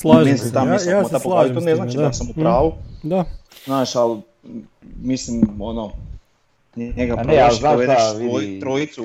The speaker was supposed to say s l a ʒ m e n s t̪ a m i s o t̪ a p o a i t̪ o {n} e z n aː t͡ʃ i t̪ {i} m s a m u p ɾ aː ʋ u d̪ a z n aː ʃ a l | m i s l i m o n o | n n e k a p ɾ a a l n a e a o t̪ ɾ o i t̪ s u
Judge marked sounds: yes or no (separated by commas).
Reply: yes, no